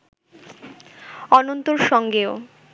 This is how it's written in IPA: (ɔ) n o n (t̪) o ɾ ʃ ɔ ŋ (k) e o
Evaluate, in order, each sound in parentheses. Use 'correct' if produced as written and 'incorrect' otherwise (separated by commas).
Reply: correct, correct, incorrect